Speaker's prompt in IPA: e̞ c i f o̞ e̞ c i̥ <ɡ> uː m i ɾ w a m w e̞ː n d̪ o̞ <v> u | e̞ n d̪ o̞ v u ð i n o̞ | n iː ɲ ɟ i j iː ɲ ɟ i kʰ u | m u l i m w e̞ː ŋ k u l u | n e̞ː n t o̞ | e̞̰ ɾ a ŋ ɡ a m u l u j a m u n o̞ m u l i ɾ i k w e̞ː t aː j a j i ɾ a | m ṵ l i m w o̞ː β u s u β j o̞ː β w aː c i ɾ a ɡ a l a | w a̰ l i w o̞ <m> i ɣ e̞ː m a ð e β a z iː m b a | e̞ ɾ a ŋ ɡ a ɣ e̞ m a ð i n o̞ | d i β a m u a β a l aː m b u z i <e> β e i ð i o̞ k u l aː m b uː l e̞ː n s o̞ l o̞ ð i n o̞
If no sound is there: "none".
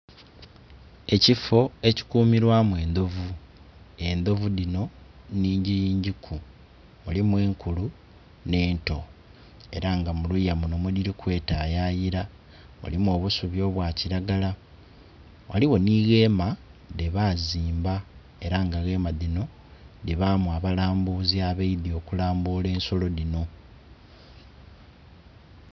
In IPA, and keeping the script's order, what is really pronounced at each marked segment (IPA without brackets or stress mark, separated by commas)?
k, v, n, a